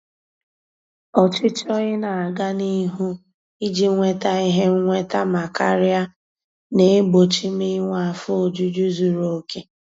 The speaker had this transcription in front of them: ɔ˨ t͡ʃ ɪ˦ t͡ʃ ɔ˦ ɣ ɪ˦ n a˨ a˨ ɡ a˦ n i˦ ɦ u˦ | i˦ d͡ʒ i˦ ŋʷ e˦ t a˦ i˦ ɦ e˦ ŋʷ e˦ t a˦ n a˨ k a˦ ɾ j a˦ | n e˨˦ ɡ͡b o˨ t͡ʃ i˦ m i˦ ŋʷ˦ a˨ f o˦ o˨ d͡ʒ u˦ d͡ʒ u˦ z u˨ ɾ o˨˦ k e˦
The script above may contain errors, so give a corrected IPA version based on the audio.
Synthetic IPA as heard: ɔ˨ t͡ʃ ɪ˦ t͡ʃ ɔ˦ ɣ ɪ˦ n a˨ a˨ ɡ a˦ n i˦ ɦ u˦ | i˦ d͡ʒ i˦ ŋʷ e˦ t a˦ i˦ ɦ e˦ ŋʷ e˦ t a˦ m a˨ k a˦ ɾ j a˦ | n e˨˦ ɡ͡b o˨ t͡ʃ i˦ m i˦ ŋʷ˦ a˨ f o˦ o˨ d͡ʒ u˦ d͡ʒ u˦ z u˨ ɾ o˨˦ k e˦